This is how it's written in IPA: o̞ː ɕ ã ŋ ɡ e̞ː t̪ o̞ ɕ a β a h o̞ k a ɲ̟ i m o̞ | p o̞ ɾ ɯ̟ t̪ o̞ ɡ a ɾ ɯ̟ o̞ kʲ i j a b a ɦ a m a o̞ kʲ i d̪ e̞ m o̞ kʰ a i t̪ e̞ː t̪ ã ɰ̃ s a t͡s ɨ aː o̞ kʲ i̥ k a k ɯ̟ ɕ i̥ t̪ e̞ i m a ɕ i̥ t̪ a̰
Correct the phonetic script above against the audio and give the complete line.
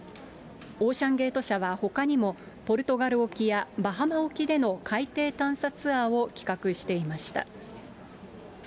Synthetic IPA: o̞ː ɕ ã ŋ ɡ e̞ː t̪ o̞ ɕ a β a h o̞ k a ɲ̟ i m o̞ | p o̞ ɾ ɯ̟ t̪ o̞ ɡ a ɾ ɯ̟ o̞ kʲ i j a b a ɦ a m a o̞ kʲ i d̪ e̞ n o̞ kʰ a i t̪ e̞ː t̪ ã ɰ̃ s a t͡s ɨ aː o̞ kʲ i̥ k a k ɯ̟ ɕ i̥ t̪ e̞ i m a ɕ i̥ t̪ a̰